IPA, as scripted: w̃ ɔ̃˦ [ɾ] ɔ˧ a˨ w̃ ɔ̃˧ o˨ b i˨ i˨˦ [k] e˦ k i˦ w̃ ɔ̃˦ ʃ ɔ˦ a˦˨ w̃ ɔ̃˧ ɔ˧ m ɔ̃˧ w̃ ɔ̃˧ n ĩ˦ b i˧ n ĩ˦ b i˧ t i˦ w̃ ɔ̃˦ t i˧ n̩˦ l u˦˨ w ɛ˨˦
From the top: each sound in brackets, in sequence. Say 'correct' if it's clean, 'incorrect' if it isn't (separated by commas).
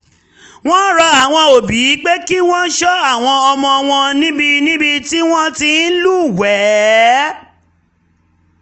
correct, incorrect